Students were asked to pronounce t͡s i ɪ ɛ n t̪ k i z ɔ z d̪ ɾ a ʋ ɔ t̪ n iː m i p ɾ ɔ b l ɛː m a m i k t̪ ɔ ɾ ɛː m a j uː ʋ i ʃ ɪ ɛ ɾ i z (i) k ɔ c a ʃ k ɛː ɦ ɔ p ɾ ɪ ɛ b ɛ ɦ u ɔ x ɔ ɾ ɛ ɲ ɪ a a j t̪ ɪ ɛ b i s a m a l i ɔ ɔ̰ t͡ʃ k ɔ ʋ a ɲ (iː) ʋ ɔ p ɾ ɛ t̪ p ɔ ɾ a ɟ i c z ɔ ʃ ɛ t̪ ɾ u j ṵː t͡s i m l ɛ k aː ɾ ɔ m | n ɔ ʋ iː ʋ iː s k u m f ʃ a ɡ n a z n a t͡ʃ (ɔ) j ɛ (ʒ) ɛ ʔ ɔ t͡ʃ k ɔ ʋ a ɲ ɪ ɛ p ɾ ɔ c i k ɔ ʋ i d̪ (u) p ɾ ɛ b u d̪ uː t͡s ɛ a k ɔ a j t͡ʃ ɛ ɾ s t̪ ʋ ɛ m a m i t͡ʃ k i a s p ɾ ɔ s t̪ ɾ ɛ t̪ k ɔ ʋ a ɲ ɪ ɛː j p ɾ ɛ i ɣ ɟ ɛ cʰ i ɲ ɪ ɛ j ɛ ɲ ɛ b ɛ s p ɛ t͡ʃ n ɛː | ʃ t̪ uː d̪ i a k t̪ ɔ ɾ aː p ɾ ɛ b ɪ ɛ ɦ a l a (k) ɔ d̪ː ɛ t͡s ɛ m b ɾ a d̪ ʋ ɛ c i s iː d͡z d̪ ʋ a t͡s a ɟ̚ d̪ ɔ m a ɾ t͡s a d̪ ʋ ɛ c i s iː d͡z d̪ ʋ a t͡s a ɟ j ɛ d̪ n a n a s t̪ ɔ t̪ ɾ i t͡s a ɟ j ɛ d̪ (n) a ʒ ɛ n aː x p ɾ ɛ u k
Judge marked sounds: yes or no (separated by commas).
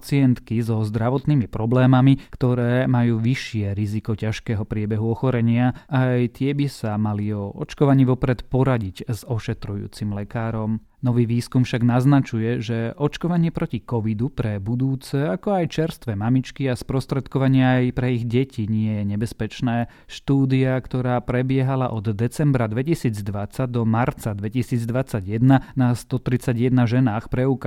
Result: yes, yes, no, yes, yes, no, yes